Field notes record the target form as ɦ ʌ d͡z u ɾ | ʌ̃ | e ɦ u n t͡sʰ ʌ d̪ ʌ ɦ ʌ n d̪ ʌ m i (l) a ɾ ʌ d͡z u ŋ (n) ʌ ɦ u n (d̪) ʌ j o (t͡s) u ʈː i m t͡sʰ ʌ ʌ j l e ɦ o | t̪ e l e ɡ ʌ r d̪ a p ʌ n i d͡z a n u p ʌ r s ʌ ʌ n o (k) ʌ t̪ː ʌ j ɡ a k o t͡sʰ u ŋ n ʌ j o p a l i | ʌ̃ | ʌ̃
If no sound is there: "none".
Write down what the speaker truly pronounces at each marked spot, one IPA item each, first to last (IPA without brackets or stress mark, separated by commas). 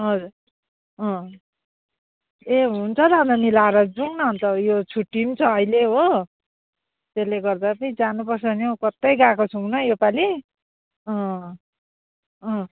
l, n, t̪, t͡sʰ, k